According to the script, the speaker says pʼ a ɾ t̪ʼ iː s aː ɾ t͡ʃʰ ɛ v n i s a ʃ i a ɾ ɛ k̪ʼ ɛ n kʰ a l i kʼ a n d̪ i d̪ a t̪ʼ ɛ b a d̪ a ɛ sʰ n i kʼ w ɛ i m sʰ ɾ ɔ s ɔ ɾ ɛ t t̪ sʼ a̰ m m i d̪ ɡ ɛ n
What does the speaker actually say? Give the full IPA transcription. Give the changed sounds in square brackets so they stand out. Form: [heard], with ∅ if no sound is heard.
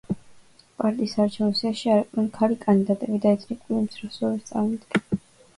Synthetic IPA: pʼ a ɾ t̪ʼ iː s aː ɾ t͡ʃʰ ɛ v n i s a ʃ i a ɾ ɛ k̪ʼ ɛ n kʰ a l i kʼ a n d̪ i d̪ a t̪ʼ ɛ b [i] d̪ a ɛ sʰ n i kʼ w [i] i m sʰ ɾ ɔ s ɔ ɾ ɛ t t̪ sʼ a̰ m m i d̪ ɡ ɛ n